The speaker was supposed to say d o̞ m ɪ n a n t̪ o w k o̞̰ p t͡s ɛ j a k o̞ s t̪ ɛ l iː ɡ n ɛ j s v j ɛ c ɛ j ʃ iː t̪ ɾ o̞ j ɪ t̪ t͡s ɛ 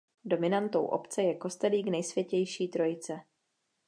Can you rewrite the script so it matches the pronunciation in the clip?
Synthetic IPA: d o̞ m ɪ n a n t̪ o w ʔ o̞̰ p t͡s ɛ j ɛ k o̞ s t̪ ɛ l iː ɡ n ɛ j s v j ɛ c ɛ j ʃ iː t̪ ɾ o̞ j ɪ t͡s ɛ